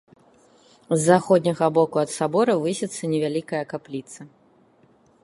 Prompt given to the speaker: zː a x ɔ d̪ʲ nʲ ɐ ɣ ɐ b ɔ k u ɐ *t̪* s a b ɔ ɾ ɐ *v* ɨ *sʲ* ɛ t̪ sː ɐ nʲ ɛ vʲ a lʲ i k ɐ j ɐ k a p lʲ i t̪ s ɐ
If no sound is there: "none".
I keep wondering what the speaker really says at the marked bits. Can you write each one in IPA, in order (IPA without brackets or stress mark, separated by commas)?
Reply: t̪, v, sʲ